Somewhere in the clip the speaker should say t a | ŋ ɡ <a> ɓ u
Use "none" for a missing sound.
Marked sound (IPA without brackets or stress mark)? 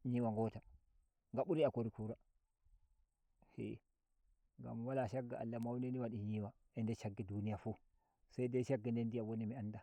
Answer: a